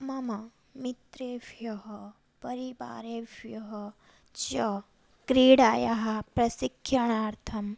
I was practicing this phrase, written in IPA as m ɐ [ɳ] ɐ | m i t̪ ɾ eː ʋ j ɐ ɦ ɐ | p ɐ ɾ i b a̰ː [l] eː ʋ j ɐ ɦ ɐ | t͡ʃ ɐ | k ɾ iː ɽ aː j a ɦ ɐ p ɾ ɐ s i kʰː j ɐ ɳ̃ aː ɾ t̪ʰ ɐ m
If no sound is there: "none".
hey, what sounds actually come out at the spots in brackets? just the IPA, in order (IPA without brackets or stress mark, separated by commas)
m, ɾ